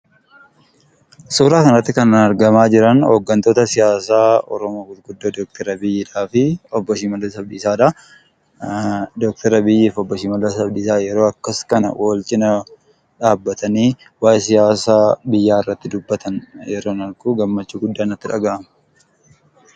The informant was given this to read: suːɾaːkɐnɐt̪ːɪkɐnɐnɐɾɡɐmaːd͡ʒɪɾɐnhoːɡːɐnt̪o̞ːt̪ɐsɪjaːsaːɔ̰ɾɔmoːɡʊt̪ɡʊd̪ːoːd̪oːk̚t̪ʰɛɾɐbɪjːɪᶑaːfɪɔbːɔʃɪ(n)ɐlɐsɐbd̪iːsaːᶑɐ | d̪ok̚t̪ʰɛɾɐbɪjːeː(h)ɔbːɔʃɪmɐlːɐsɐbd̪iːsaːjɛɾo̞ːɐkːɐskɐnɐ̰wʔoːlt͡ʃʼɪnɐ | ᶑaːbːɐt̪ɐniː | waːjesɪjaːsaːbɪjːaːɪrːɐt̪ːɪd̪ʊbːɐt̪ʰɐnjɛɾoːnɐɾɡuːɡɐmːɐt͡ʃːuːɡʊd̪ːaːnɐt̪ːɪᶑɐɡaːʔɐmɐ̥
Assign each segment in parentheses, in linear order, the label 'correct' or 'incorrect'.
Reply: incorrect, incorrect

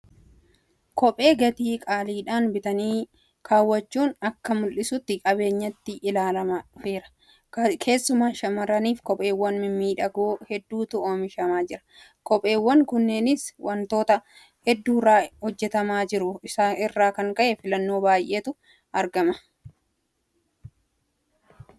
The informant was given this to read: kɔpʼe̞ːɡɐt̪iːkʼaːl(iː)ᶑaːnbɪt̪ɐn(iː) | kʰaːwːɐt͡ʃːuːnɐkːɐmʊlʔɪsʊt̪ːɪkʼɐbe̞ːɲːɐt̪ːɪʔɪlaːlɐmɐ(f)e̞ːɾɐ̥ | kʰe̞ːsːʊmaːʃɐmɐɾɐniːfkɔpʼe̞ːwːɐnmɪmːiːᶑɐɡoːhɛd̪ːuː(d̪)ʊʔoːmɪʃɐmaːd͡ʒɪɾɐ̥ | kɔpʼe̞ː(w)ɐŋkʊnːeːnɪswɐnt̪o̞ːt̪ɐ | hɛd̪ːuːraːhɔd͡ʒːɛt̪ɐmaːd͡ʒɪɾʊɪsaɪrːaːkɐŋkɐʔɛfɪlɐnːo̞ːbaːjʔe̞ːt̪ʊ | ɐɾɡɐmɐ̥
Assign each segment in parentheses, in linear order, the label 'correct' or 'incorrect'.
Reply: correct, correct, correct, incorrect, incorrect

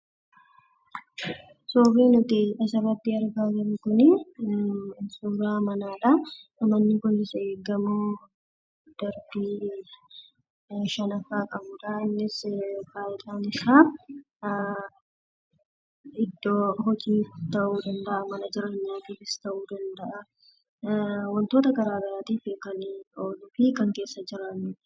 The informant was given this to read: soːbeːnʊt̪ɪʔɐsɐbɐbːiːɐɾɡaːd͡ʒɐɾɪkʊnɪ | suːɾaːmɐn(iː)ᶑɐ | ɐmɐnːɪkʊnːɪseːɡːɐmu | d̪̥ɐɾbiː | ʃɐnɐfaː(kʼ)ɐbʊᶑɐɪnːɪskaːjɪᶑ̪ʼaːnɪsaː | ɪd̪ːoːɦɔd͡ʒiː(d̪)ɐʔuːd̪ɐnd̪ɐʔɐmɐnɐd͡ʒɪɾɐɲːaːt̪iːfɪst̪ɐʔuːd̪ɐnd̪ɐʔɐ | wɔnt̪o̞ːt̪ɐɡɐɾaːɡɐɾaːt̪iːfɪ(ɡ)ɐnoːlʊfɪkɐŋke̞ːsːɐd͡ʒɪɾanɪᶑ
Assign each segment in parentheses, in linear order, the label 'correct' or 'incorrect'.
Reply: incorrect, correct, incorrect, incorrect

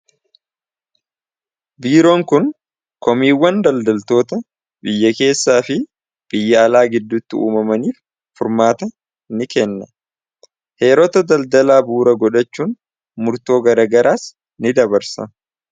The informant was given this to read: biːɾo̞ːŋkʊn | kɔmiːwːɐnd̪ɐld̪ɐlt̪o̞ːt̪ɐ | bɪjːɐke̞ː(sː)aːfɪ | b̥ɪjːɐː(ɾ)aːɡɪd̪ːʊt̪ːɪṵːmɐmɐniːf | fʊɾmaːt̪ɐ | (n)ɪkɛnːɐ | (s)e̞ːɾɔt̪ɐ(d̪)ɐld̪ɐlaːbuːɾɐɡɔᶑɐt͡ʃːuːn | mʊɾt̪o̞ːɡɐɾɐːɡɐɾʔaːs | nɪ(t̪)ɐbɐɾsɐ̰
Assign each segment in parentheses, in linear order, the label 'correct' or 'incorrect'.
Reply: correct, incorrect, correct, incorrect, correct, incorrect

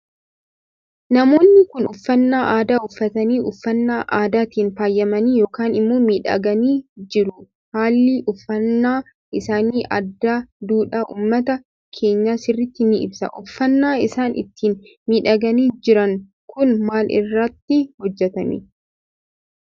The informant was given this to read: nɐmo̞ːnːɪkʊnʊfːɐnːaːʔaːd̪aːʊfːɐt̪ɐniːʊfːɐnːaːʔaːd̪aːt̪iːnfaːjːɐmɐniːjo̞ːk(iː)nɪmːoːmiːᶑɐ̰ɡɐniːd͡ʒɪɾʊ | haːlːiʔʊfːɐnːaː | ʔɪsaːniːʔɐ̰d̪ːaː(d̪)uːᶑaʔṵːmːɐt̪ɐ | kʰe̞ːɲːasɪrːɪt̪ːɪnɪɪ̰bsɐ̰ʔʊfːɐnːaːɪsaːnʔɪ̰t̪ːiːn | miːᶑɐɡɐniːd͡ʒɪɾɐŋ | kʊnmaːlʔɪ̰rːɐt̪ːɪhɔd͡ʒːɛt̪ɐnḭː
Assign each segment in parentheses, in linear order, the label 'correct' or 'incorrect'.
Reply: incorrect, correct

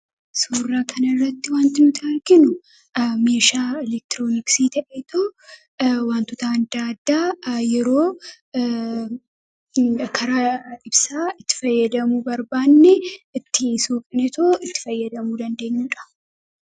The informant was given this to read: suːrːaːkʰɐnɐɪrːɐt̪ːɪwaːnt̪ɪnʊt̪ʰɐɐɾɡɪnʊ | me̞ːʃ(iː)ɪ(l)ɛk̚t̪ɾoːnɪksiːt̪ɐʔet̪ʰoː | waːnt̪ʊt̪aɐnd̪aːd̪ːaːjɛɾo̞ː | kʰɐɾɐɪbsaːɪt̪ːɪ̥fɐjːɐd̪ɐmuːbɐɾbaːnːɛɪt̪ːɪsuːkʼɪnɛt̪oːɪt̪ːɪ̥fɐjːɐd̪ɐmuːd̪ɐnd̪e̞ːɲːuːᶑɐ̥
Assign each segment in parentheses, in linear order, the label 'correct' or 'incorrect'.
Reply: incorrect, correct

